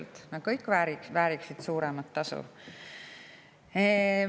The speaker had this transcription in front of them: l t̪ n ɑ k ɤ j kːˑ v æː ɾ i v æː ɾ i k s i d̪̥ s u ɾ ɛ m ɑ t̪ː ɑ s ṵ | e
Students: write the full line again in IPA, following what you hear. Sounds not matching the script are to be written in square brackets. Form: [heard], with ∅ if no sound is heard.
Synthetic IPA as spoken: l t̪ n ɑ k ɤ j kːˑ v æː ɾ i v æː ɾ i k s i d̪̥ s [uː] ɾ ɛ m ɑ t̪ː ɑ s ṵ | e